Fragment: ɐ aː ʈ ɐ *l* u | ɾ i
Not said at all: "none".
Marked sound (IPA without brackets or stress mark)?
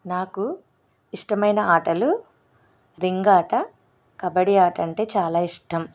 l